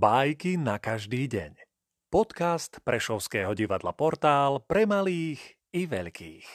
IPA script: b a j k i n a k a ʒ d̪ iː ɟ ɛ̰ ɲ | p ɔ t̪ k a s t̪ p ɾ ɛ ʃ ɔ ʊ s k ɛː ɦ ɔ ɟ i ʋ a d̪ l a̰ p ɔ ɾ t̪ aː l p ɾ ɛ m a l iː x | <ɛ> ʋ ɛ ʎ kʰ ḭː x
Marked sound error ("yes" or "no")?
yes